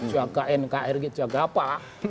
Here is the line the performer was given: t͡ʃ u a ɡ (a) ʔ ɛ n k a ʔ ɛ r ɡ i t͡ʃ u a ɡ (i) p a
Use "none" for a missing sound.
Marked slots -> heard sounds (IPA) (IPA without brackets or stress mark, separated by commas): a, a